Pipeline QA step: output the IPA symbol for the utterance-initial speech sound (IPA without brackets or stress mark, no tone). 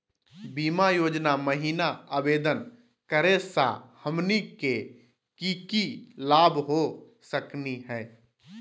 b